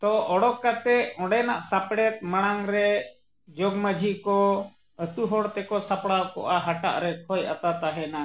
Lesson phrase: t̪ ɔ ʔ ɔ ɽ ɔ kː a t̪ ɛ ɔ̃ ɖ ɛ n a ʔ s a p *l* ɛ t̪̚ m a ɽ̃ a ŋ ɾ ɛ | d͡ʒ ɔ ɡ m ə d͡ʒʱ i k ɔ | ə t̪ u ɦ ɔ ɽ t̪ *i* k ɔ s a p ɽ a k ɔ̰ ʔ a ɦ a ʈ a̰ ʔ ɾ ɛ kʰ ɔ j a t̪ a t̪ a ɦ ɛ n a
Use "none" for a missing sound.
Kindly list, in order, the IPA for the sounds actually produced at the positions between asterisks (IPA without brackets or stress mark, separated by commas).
ɽ, ɛ